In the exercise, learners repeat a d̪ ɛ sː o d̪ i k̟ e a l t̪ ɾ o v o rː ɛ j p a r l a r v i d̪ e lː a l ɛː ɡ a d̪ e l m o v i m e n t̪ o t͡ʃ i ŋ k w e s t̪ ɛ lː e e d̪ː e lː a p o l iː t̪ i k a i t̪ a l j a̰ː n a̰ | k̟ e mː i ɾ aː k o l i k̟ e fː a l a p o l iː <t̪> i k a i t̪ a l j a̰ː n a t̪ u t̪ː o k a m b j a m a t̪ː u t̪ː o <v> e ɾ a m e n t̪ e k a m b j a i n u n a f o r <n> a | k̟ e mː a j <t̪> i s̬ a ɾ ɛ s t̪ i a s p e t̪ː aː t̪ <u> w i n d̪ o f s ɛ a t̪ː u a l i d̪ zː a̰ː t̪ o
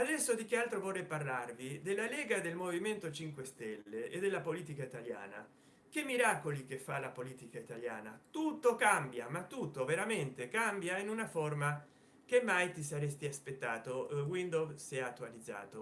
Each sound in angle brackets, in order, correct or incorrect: correct, correct, incorrect: m, correct, incorrect: o

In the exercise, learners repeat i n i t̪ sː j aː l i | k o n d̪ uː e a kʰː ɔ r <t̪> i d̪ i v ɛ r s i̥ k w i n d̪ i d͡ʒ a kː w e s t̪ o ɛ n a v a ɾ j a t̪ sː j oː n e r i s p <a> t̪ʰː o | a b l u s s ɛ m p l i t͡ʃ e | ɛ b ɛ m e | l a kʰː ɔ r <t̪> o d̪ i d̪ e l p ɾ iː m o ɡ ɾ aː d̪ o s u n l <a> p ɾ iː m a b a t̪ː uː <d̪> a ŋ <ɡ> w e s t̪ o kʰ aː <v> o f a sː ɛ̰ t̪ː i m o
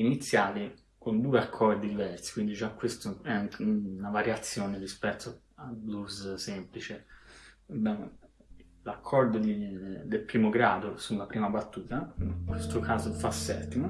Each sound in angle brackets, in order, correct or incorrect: incorrect: d̪, incorrect: ɛ, incorrect: d̪, correct, incorrect: t̪, incorrect: k, incorrect: z

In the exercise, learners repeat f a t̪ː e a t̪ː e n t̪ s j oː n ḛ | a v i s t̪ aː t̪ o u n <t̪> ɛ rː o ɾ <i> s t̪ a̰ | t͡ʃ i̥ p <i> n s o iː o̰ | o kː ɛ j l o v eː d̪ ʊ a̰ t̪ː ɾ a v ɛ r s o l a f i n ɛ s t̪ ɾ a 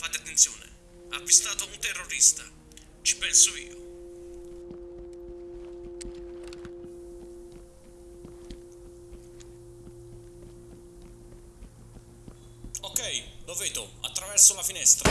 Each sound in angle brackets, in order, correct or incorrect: correct, correct, incorrect: ɛ

